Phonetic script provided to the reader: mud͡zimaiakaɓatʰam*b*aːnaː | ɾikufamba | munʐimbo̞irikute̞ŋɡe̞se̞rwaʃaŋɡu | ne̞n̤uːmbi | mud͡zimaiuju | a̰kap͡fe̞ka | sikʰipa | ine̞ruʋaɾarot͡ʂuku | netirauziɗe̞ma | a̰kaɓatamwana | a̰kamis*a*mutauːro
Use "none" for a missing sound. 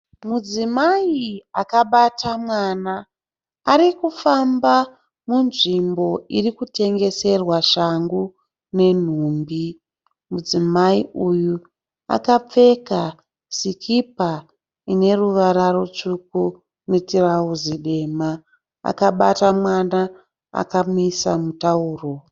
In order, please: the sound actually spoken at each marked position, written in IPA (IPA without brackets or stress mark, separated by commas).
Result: w, a